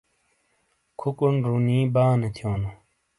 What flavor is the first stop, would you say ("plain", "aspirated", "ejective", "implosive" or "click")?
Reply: aspirated